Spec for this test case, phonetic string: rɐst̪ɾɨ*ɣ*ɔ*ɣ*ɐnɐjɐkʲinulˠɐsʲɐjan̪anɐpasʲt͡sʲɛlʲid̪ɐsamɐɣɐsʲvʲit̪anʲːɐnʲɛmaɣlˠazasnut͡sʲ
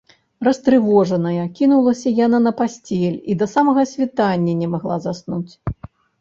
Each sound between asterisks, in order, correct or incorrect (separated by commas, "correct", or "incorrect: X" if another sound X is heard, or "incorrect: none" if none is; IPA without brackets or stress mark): incorrect: v, incorrect: ʐ